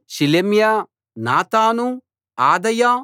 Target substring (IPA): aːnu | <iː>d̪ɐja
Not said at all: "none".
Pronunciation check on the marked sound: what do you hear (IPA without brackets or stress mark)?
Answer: aː